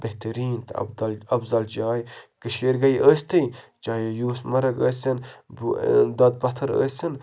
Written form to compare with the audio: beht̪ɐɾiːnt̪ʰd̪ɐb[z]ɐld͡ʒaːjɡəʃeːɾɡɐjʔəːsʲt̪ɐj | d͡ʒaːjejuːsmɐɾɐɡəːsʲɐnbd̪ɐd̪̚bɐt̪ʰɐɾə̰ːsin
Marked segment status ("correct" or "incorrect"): correct